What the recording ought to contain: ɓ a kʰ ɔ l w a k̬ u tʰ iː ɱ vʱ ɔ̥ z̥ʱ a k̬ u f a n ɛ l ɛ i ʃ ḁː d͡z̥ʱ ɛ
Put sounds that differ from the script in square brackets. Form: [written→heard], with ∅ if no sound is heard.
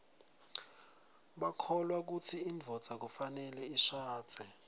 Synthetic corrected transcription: ɓ a kʰ ɔ l w a k̬ u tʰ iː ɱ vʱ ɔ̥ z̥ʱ a k̬ u f a n ɛ l ɛ i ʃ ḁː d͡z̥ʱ ɛ